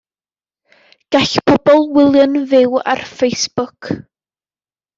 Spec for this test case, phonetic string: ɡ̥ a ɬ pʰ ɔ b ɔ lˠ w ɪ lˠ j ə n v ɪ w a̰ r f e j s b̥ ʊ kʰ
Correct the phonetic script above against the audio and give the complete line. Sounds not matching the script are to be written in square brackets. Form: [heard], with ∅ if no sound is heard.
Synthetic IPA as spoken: ɡ̥ a ɬ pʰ ɔ b ɔ lˠ w ɪ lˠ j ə n v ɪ w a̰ r f e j s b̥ ʊ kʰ